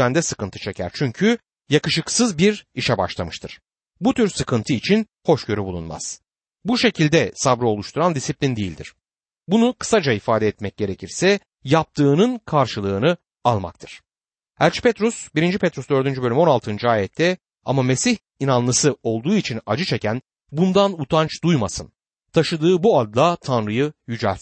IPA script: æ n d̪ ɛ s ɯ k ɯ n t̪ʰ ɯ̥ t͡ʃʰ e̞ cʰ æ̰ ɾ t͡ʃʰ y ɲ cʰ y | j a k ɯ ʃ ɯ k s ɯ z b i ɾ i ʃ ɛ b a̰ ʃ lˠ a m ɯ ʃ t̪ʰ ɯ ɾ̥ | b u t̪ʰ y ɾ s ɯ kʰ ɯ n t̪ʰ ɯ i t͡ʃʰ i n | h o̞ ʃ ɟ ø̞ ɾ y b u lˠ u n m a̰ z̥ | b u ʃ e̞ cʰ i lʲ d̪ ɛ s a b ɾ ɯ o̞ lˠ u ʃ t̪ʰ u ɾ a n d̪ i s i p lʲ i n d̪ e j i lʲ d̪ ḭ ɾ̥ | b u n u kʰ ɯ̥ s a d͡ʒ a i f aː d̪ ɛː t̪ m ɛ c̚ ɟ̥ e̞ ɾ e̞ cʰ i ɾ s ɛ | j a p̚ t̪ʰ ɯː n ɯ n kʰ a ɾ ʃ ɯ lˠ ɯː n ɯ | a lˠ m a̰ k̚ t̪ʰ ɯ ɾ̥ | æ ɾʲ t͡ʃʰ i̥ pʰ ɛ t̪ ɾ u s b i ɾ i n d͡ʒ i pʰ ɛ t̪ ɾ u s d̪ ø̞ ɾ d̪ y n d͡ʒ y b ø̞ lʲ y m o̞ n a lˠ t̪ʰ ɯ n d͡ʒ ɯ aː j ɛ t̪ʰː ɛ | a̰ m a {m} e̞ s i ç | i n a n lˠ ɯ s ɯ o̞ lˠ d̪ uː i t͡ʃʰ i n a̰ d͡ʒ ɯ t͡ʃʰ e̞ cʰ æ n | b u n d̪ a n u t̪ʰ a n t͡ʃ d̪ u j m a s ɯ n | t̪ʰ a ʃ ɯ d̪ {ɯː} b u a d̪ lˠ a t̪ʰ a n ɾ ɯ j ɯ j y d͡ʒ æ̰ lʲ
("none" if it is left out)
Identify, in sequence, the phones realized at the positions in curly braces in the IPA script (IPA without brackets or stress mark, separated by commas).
m, ɯː